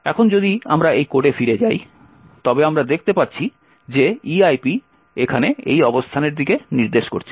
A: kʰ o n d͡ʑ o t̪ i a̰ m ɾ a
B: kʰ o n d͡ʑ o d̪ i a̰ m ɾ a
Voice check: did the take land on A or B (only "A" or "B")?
B